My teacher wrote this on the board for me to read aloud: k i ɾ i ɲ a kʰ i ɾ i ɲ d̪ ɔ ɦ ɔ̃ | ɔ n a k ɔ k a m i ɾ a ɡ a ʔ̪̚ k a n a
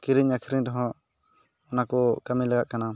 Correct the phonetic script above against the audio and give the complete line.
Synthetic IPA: k i ɾ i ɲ a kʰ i ɾ i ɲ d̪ ɔ ɦ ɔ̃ | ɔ n a k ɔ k a m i l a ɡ a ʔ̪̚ k a n a